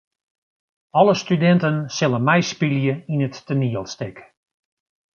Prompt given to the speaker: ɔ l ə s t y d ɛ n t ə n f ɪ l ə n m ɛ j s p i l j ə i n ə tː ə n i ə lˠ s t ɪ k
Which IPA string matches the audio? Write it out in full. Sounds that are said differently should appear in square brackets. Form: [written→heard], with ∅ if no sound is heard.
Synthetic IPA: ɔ l ə s t y d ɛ n t ə n [f→s] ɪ l ə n m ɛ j s p i l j ə i n ə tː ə n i ə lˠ s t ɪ k

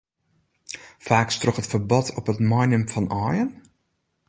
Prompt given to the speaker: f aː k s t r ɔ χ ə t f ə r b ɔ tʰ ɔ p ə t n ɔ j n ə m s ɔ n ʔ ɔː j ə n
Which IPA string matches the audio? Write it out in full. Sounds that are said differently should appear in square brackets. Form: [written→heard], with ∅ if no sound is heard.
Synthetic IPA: f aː k s t r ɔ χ ə t f ə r b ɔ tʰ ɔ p ə t [n→m] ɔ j n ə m [s→f] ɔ n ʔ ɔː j ə n

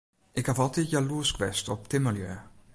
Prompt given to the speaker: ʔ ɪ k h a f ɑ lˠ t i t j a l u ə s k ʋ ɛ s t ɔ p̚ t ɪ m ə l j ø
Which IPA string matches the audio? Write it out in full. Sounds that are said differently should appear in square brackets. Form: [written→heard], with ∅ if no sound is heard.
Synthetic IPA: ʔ ɪ k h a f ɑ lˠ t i t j a l u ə s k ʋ ɛ s t ɔ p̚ t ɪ m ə l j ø

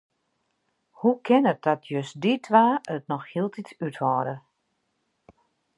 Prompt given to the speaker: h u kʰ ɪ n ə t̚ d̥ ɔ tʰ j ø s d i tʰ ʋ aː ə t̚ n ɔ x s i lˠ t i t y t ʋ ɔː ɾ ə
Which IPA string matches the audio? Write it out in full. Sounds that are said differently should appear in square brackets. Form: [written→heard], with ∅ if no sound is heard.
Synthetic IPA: h u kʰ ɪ n ə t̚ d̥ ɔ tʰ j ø s d i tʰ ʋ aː ə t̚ n ɔ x [s→h] i lˠ t i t y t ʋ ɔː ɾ ə

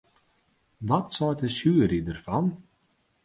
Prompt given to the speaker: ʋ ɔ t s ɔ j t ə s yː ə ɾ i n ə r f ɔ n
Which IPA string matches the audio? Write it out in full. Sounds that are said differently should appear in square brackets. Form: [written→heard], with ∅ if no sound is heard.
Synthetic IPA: ʋ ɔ t s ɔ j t ə s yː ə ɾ i [n→d] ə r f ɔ n

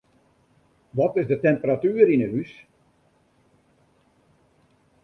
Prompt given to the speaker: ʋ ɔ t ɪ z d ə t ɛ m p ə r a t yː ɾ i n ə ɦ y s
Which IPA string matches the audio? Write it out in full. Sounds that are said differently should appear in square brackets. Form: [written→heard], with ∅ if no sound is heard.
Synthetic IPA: ʋ ɔ t ɪ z d ə t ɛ m p ə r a t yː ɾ i n ə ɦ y s

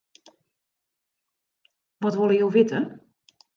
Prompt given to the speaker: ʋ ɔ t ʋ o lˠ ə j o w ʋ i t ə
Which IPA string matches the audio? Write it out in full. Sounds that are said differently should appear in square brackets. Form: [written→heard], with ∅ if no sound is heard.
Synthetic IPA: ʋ ɔ t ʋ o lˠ ə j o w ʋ [i→ɪ] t ə

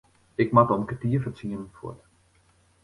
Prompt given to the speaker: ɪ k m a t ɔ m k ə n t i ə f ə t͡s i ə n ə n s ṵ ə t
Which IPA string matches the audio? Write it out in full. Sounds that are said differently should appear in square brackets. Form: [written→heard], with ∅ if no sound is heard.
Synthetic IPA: ɪ k m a t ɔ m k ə [n→∅] t i ə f ə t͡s i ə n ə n [s→f] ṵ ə t

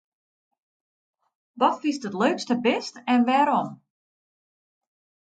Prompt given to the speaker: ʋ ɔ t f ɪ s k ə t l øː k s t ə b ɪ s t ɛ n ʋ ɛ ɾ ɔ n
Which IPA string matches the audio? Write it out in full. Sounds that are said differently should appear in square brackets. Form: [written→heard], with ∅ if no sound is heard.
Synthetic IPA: ʋ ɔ t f [ɪ→i] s [k→t] ə t l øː k s t ə b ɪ s t ɛ n ʋ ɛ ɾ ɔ [n→m]

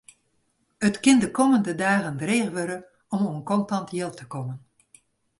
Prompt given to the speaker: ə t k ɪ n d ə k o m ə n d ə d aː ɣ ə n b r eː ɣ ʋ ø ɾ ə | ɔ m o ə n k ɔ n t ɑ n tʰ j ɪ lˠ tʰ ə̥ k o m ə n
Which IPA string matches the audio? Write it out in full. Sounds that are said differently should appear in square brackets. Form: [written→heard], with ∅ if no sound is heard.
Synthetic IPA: ə t k ɪ n d ə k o m ə n d ə d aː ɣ ə n [b→d] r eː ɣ ʋ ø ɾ ə | ɔ m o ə n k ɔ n t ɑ n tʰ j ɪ lˠ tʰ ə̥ k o m ə n

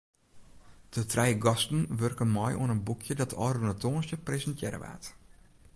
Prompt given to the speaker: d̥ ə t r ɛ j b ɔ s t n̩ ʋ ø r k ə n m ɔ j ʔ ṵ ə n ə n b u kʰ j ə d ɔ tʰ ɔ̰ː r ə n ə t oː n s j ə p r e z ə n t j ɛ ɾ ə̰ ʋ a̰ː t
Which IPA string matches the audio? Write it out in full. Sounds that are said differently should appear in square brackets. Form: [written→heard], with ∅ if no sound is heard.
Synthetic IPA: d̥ ə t r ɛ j [b→ɡ] ɔ s t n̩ ʋ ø r k ə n m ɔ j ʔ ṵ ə n ə n b u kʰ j ə d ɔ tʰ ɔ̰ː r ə n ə t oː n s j ə p r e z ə n t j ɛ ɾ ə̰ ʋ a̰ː t

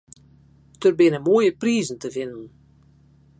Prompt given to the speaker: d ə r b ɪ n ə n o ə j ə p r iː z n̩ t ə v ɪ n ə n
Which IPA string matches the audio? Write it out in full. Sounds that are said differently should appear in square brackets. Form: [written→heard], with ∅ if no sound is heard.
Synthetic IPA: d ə r b ɪ n ə [n→m] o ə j ə p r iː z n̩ t ə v ɪ n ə n

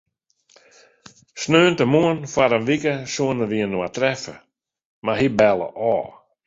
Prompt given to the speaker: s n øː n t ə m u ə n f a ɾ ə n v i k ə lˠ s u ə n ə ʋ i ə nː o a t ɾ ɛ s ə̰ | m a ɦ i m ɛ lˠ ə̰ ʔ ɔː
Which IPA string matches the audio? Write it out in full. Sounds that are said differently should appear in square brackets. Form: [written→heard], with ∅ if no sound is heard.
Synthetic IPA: s n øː n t ə m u ə n f a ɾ ə n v i k ə [lˠ→∅] s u ə n ə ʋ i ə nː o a t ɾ ɛ [s→f] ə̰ | m a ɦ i [m→b] ɛ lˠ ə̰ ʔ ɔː

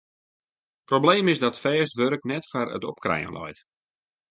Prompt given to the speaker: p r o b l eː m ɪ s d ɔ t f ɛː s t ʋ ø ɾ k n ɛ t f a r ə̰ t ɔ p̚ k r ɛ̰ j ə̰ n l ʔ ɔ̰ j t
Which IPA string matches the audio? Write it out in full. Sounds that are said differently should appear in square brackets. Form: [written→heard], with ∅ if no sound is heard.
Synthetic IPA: p r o b l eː m ɪ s d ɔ t f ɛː s t ʋ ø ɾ k n ɛ t f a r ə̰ t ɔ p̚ k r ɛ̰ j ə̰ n l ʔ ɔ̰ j t

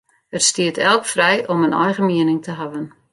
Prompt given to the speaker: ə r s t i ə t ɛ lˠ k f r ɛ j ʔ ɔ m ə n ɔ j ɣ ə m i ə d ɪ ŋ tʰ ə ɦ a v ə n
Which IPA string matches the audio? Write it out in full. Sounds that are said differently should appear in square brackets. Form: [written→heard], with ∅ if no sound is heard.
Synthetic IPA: ə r s t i ə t ɛ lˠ k f r ɛ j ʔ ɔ m ə n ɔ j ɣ ə m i ə [d→n] ɪ ŋ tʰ ə ɦ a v ə n

